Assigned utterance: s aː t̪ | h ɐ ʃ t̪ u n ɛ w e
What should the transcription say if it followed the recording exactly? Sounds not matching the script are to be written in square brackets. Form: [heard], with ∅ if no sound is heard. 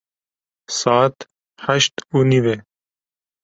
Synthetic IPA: s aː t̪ | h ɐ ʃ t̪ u n [i] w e